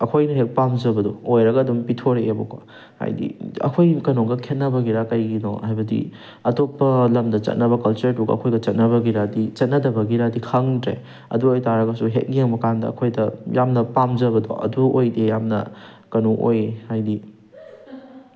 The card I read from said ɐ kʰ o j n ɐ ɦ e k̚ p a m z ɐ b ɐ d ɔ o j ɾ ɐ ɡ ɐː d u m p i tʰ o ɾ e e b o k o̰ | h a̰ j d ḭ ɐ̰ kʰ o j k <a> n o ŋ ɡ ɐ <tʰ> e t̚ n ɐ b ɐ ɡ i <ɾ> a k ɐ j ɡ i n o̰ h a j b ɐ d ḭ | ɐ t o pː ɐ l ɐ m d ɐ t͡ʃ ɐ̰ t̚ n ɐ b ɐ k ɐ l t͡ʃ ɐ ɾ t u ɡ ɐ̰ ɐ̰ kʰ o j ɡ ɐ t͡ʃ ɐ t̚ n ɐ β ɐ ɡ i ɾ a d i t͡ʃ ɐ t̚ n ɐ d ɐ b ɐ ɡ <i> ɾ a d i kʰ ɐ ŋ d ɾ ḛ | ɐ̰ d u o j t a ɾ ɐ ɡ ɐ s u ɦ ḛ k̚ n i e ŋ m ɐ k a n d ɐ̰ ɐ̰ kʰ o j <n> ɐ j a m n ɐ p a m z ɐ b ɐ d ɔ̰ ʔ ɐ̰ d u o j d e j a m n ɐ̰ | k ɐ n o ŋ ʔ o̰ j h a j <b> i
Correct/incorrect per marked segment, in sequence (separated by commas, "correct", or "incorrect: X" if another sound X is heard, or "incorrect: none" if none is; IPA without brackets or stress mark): incorrect: ɐ, incorrect: kʰ, correct, correct, incorrect: d, incorrect: d